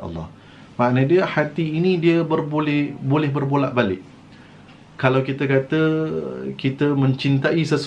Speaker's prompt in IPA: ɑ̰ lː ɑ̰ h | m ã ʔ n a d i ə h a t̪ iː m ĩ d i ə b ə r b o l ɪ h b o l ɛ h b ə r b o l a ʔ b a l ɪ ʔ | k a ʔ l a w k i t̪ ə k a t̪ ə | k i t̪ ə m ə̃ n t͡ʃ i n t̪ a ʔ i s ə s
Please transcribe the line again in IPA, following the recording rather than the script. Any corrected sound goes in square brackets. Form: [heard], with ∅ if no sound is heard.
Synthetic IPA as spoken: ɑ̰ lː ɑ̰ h | m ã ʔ n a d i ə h a t̪ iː [n] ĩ d i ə b ə r b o l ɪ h b o l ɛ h b ə r b o l a ʔ b a l ɪ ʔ | k a [∅] l a w k i t̪ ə k a t̪ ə | k i t̪ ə m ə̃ [ɲ] t͡ʃ i n t̪ a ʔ i s ə s